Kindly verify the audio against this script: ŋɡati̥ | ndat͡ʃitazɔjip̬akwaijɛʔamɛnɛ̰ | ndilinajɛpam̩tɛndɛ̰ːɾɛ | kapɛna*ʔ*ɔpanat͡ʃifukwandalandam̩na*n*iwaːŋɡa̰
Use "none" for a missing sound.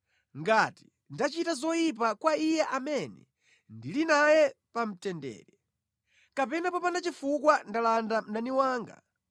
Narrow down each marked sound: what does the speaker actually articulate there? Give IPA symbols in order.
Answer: p, n

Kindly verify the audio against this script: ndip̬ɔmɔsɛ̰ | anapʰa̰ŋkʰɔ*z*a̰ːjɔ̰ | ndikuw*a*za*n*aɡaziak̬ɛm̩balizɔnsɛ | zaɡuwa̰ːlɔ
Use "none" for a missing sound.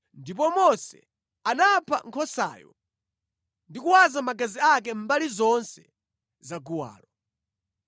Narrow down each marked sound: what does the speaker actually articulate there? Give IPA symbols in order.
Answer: s, a, m

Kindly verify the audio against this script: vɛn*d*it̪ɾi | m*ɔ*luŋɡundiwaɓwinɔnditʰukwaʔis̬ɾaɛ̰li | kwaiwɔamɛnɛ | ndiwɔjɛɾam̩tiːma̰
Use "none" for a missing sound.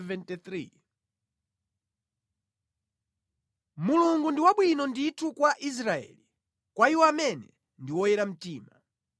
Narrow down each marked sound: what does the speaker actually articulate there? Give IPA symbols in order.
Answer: t, u

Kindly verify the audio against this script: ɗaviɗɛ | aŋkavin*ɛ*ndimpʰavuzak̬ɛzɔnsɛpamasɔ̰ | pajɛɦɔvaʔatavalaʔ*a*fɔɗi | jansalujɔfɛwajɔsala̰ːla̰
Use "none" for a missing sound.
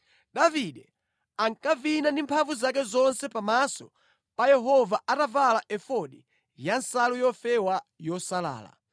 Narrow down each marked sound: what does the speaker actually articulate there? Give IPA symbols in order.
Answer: a, ɛ

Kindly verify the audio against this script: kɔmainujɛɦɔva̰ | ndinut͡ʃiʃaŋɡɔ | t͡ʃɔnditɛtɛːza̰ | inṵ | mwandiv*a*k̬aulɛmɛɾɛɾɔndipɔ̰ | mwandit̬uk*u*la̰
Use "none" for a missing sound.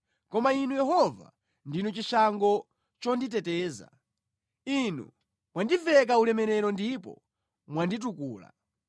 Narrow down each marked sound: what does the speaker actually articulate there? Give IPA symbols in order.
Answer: ɛ, uː

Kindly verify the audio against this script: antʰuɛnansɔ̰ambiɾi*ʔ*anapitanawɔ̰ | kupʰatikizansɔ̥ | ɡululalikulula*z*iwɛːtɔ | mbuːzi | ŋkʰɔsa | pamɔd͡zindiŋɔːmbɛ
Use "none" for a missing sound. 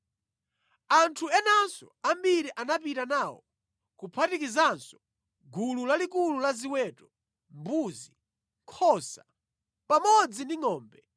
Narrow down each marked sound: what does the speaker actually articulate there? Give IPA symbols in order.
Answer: ʔ, z

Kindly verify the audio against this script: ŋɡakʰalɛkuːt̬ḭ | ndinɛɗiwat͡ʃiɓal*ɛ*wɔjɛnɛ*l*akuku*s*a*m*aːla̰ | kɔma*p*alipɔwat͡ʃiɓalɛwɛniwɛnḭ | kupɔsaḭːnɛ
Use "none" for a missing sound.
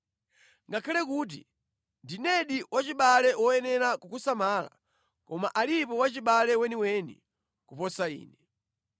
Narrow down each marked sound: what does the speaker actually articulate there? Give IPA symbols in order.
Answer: ɛ, ɾ, s, m, ʔ

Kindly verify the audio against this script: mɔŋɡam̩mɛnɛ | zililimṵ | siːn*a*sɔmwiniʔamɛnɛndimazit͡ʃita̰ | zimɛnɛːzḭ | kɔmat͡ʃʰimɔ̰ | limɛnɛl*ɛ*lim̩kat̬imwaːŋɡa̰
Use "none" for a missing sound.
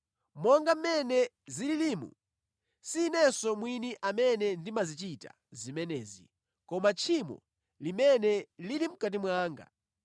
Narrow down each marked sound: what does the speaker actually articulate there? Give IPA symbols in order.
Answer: ɛ, i

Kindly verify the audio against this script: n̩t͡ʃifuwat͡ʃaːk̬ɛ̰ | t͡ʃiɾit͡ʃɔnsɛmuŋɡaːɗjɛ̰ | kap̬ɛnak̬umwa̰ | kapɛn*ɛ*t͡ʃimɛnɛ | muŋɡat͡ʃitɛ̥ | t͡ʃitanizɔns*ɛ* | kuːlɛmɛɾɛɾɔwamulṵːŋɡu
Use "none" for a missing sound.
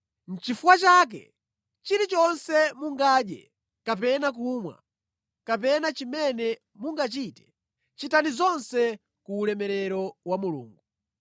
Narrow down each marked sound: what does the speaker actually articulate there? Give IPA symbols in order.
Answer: a, ɛ

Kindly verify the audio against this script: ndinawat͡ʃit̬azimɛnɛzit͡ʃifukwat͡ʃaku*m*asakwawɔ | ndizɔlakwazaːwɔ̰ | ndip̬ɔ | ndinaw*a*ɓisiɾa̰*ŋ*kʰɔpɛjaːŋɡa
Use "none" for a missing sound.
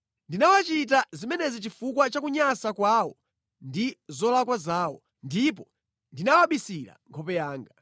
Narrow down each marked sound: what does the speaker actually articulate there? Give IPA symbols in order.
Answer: ɲ, a, ŋ

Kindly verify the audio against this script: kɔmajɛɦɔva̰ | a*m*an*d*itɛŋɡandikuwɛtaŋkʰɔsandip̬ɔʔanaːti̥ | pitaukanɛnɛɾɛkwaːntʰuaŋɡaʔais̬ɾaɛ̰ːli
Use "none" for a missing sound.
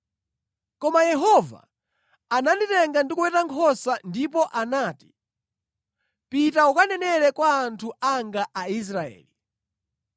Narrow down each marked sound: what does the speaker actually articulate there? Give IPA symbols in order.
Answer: n, d

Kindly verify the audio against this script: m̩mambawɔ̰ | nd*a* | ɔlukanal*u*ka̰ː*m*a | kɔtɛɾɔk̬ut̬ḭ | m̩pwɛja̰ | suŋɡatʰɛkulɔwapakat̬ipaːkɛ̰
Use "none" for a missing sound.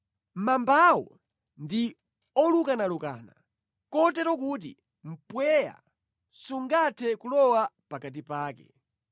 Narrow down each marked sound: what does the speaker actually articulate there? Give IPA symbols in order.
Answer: i, u, n

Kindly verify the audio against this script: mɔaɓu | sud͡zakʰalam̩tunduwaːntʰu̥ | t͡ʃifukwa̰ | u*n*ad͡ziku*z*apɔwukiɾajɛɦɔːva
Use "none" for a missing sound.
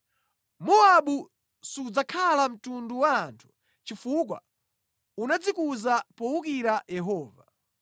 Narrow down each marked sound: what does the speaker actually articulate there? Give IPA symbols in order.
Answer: n, z

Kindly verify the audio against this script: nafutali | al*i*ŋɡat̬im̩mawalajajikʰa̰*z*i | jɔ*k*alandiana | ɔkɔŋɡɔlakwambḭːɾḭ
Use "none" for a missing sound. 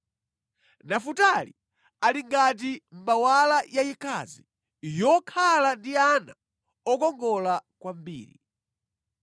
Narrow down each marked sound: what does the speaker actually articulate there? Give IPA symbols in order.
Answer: i, z, kʰ

